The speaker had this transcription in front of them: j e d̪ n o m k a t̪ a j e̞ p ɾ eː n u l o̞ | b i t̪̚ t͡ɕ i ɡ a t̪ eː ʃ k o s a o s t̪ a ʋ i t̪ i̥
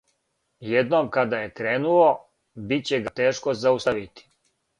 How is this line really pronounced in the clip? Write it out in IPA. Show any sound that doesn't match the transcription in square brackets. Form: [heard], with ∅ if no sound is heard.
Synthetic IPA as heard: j e d̪ n o m k a [d̪] a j e̞ [k] ɾ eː n u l o̞ | b i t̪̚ t͡ɕ [e] ɡ a t̪ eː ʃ k o [z] a [u] s t̪ a ʋ i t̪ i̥